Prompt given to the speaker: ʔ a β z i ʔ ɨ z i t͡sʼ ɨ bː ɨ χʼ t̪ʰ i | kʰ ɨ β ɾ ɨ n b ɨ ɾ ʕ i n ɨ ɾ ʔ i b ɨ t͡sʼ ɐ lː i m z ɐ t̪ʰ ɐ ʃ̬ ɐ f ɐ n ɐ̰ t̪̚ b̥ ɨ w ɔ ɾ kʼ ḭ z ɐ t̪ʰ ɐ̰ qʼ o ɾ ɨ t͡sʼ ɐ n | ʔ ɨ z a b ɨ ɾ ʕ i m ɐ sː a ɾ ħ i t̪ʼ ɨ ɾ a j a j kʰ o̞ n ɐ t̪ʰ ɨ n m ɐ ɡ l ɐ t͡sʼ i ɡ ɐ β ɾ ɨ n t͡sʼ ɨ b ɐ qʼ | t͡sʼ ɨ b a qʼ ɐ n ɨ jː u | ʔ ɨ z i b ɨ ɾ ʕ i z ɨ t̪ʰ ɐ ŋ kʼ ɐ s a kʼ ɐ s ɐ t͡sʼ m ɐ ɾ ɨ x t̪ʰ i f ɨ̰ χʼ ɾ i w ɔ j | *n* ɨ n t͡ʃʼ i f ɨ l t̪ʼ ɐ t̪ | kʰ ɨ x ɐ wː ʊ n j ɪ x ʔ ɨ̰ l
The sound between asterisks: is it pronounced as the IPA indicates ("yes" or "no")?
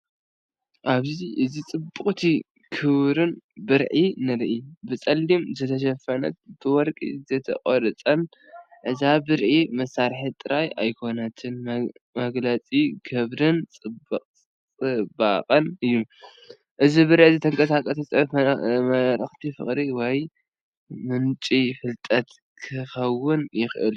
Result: no